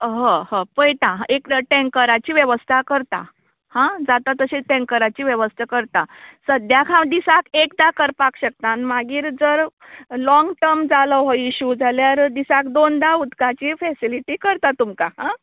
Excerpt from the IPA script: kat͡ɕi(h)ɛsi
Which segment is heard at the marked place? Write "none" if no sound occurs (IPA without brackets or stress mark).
f